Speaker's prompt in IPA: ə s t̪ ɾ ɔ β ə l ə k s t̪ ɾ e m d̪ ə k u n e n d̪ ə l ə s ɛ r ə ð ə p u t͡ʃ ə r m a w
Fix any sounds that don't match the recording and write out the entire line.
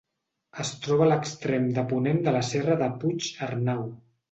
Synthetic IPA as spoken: ə s t̪ ɾ ɔ β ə l ə k s t̪ ɾ e m d̪ ə p u n e n d̪ ə l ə s ɛ r ə ð ə p u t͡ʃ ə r n a w